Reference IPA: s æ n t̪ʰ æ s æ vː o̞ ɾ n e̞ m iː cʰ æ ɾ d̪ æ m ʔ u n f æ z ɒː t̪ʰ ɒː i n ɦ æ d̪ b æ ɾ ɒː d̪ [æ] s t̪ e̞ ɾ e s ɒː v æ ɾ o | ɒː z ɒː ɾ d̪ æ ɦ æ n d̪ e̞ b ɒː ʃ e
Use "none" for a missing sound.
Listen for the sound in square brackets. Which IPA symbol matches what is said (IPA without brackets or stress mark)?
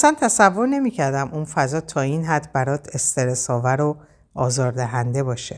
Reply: e